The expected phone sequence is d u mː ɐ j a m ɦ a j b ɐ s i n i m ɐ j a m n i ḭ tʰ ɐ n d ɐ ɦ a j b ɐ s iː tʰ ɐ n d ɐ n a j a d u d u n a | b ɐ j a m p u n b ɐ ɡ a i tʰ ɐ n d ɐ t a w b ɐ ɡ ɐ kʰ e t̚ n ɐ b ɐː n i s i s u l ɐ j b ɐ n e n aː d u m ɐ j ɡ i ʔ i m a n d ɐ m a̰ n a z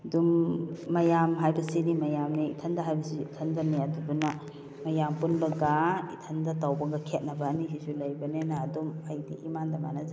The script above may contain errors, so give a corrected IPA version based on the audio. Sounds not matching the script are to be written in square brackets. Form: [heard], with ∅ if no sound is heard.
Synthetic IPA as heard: d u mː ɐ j a m ɦ a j b ɐ s i n i m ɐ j a m n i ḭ tʰ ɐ n d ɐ ɦ a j b ɐ s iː tʰ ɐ n d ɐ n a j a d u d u n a | [m] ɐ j a m p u n b ɐ ɡ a i tʰ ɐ n d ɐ t a w b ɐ ɡ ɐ kʰ e t̚ n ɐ b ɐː n i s i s u l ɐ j b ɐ n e n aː d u m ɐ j [d] i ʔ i m a n d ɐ m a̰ n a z